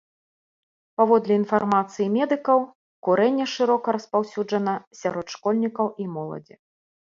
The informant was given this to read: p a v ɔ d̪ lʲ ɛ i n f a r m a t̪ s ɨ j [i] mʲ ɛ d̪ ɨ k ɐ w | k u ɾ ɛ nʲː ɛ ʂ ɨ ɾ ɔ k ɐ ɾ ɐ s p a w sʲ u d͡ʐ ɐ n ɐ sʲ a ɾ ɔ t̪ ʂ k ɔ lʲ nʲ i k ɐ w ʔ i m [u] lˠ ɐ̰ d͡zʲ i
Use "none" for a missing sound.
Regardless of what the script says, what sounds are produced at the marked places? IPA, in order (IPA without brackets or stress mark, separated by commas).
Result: i, ɔ